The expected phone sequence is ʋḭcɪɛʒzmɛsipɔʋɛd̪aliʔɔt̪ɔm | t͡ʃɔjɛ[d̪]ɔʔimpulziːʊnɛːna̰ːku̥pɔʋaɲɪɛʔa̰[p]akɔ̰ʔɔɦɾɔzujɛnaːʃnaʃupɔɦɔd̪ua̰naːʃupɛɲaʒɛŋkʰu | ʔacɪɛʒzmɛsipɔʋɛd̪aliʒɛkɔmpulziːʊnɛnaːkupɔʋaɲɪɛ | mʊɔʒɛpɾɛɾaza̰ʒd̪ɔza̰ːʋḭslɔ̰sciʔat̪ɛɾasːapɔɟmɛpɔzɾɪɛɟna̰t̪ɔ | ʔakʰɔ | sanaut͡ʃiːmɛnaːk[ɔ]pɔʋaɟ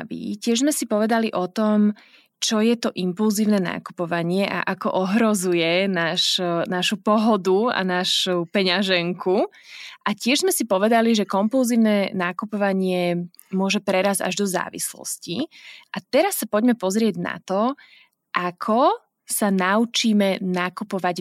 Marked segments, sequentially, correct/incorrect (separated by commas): incorrect, incorrect, incorrect